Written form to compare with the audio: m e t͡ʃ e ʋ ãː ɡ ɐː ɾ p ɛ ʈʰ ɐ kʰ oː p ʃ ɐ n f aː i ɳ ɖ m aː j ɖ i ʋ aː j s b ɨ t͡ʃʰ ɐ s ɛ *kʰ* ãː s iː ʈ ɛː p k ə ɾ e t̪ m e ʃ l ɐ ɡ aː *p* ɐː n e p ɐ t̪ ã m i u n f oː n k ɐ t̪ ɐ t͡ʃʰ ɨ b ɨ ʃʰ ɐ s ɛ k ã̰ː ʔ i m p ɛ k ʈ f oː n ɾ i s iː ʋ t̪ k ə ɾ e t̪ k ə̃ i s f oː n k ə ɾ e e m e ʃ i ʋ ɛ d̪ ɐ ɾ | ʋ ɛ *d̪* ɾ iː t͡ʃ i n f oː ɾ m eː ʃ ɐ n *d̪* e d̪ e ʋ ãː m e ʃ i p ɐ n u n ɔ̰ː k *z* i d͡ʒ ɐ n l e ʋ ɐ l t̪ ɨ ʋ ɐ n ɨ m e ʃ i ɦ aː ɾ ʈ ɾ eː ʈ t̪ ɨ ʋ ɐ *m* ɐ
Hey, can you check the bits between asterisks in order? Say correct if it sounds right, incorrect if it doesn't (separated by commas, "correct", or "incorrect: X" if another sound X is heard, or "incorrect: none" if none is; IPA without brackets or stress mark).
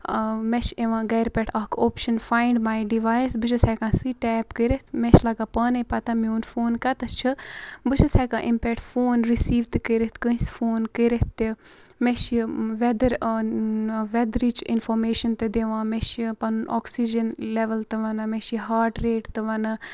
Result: incorrect: k, correct, correct, incorrect: t̪, incorrect: s, incorrect: n